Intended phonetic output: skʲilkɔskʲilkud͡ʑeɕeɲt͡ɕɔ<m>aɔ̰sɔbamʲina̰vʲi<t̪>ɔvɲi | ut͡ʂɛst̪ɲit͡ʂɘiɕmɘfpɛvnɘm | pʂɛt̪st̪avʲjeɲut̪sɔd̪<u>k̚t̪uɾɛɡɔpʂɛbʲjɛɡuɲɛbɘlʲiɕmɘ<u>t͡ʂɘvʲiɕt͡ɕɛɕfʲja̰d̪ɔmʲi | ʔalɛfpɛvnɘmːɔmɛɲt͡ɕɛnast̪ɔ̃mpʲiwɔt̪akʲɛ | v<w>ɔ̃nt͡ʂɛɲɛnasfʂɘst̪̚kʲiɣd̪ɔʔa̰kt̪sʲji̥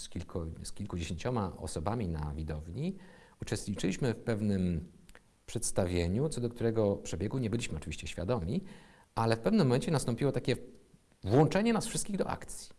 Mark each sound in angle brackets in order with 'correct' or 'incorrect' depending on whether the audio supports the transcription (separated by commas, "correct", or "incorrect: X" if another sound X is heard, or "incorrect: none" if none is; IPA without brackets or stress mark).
correct, incorrect: d̪, incorrect: ɔ, incorrect: ɔ, correct